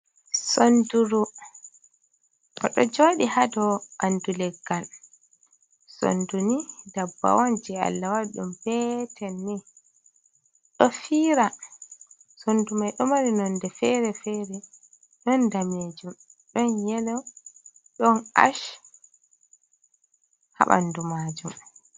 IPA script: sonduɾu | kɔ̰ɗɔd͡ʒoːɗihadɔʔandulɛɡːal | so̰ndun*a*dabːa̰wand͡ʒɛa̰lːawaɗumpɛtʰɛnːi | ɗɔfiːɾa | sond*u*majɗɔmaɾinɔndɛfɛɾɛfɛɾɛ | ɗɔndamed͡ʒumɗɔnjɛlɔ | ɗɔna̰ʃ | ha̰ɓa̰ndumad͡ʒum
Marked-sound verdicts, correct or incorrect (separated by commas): incorrect, correct